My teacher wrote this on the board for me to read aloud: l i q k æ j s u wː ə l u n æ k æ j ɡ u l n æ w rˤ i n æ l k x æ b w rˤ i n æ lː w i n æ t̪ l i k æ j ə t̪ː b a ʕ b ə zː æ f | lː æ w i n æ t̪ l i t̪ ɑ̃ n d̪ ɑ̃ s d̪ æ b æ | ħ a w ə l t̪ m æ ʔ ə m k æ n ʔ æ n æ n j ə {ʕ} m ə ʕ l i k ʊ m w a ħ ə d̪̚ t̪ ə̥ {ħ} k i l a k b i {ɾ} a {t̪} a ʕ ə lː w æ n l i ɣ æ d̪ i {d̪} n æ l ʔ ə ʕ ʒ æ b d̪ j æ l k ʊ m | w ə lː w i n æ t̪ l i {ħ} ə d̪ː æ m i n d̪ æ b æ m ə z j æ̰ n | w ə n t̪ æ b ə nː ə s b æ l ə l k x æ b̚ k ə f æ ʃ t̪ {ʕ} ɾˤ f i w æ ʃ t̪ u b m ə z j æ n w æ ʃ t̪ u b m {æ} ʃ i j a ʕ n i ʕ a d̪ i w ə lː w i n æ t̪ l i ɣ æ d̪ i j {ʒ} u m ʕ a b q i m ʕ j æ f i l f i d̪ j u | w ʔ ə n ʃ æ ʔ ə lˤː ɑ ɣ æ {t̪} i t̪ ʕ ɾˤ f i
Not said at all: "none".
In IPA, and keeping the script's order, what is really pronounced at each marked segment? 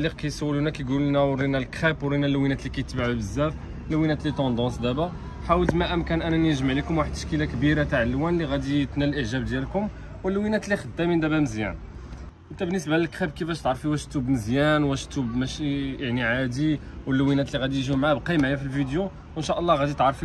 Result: ʒ, ʃ, ɾ, t̪, t̪, x, ʕ, æ, ʒ, d̪

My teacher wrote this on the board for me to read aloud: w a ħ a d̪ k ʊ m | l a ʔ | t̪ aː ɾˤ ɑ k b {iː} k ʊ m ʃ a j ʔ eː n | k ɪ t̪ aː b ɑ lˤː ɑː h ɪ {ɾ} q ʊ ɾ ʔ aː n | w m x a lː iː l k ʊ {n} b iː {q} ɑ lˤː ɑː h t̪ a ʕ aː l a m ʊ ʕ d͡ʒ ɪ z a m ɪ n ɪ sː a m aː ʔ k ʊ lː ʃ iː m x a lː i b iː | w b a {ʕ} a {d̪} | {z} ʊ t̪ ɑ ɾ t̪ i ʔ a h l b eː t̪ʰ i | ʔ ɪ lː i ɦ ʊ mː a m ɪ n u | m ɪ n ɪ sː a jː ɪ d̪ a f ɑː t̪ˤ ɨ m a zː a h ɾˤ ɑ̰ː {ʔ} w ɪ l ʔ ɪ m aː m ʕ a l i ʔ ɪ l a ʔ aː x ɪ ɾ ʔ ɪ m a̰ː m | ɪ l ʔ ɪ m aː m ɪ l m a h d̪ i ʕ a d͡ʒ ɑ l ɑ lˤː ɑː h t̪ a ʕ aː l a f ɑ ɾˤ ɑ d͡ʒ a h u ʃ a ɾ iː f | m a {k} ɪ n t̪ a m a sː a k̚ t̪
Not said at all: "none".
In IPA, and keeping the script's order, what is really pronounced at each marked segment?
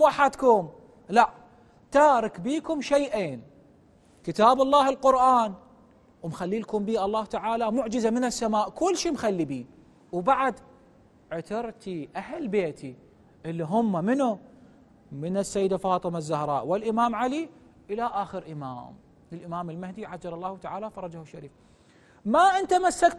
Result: iː, l, m, ʔ, ʕ, d̪, ʕ, ʔ, ʔ

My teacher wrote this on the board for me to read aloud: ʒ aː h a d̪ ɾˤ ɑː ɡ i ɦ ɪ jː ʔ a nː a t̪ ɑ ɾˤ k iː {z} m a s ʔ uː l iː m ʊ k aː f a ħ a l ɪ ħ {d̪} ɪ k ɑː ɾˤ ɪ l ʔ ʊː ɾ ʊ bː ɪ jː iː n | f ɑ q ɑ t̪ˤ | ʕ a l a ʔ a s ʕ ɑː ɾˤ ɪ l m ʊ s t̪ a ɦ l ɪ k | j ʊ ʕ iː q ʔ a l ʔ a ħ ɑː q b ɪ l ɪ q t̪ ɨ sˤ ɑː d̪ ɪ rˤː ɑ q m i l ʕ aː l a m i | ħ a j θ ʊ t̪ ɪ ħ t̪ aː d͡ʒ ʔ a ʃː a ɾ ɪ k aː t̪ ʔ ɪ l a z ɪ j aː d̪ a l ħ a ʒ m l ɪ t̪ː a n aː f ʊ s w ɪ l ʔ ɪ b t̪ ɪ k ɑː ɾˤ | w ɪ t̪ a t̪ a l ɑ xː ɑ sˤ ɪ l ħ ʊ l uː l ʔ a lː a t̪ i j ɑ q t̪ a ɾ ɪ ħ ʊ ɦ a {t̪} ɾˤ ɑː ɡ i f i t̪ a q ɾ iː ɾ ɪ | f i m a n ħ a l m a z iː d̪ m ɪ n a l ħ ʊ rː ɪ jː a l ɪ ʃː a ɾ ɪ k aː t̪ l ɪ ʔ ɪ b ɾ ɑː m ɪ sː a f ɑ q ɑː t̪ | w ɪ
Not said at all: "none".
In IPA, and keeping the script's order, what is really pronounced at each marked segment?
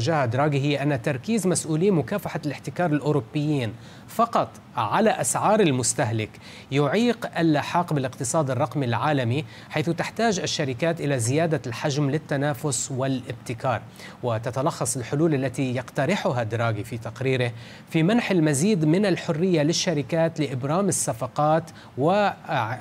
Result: z, t̪, d̪

